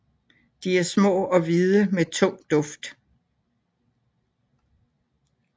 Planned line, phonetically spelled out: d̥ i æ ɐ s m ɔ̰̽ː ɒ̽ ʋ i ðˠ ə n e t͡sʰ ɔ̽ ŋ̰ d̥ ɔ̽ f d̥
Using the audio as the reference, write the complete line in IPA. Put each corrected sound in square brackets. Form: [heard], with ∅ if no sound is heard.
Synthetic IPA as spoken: d̥ i æ ɐ s m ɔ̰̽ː ɒ̽ ʋ i ðˠ ə [m] e t͡sʰ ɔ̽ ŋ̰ d̥ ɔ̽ f d̥